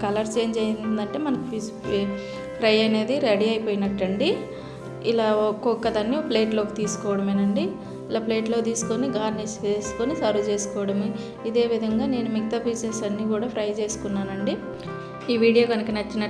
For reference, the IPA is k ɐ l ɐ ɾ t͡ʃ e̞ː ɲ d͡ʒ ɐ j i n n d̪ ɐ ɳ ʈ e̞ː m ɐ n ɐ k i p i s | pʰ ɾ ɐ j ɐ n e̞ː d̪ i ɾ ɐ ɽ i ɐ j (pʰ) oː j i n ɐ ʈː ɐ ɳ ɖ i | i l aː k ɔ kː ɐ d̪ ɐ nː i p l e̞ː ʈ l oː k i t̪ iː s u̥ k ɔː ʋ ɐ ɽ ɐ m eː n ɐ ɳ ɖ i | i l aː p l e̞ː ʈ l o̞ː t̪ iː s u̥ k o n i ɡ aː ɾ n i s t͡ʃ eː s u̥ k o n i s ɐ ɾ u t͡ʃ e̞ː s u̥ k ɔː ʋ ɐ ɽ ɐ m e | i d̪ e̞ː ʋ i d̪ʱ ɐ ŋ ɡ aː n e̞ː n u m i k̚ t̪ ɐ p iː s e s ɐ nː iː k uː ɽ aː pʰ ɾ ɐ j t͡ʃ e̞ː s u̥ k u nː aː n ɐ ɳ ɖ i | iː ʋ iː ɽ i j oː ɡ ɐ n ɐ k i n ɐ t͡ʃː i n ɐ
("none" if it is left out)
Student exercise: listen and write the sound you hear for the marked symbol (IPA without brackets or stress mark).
p